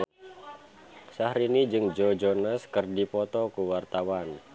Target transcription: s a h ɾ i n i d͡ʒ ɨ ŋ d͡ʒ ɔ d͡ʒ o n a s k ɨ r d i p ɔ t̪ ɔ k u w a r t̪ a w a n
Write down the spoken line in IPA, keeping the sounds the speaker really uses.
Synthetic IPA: s a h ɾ i n i d͡ʒ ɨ ŋ d͡ʒ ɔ d͡ʒ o n a s k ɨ r d i p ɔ t̪ ɔ k u w a r t̪ a w a n